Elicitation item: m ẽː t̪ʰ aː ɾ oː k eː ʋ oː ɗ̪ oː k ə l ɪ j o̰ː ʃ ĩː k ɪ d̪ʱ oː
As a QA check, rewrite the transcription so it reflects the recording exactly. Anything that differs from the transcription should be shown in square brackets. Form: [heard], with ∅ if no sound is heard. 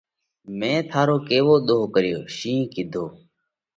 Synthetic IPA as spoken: m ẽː t̪ʰ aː ɾ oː k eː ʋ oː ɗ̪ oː k ə [ɾ] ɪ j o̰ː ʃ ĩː k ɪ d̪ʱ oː